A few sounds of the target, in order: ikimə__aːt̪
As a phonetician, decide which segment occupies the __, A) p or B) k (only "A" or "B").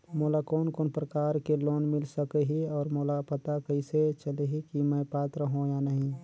A